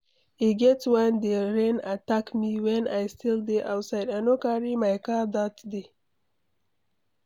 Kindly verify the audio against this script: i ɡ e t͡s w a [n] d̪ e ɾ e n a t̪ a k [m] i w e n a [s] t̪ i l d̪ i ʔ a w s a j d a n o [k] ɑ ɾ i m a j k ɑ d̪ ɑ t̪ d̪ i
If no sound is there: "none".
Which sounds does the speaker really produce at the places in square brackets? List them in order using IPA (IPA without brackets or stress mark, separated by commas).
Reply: n, m, s, k